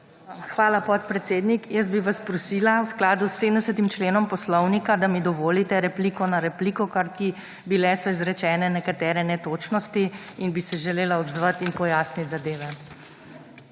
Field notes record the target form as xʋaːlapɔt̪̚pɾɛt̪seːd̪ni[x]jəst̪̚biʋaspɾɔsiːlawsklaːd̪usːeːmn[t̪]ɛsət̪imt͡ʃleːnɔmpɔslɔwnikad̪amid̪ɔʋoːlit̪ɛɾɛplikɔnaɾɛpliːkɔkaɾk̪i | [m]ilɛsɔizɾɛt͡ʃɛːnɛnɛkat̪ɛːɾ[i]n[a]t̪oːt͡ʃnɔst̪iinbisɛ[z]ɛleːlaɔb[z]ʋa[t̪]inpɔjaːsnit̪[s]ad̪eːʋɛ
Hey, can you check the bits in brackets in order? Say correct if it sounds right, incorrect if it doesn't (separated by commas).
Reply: incorrect, incorrect, incorrect, incorrect, incorrect, incorrect, correct, correct, incorrect